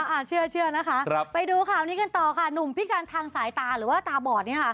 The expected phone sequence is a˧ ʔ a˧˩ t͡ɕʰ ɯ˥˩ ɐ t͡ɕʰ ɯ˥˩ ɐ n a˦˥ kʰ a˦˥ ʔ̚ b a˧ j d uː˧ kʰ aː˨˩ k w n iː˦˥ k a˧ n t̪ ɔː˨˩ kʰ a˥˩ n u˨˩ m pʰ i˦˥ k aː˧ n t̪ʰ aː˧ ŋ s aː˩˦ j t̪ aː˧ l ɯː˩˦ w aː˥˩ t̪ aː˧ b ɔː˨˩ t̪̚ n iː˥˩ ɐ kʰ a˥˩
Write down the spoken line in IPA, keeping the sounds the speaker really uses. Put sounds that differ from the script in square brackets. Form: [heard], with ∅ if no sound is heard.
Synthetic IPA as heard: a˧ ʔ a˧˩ t͡ɕʰ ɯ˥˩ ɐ t͡ɕʰ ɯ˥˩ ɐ n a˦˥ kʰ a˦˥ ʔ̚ [p] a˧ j d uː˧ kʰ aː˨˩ [∅] w n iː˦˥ k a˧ n t̪ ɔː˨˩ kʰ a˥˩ n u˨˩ m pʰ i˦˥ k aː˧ n t̪ʰ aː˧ ŋ s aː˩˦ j t̪ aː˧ [ɾ] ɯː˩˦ w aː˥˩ t̪ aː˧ b ɔː˨˩ t̪̚ n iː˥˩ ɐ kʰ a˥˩